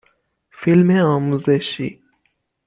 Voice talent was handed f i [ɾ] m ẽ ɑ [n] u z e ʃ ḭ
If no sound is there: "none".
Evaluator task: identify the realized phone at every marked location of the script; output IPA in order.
l, m

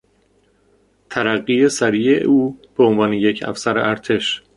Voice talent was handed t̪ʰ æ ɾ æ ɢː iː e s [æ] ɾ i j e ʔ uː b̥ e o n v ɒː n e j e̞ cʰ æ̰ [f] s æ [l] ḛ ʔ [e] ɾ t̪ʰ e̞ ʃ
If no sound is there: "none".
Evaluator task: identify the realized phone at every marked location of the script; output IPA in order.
æ, f, ɾ, æ

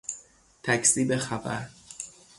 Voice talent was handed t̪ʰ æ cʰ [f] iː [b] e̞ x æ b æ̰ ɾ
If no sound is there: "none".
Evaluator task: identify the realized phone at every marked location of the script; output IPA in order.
s, b

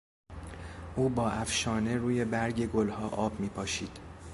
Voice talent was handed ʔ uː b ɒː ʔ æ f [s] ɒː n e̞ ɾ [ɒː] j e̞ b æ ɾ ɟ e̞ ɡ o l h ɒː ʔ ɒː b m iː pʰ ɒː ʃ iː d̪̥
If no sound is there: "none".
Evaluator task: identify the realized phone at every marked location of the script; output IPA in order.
ʃ, uː

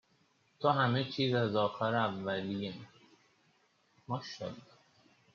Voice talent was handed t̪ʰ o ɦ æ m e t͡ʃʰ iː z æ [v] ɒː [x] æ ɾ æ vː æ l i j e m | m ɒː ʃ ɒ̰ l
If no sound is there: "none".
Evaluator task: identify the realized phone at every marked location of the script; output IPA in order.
z, x

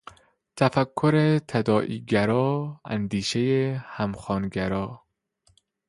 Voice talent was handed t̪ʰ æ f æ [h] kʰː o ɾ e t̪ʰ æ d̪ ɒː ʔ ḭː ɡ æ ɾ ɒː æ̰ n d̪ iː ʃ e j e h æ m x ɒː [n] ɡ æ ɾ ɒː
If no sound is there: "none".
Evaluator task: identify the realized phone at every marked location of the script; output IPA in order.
none, n

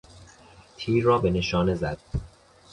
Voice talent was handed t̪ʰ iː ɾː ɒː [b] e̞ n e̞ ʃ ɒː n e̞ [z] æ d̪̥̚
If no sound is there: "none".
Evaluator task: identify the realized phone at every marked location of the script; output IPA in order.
b, z

